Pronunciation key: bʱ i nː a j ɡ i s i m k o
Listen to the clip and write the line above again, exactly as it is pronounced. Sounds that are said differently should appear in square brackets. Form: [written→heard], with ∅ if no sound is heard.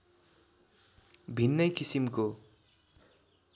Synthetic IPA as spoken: bʱ i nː [a→ʌ] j [ɡ→k] i s i m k o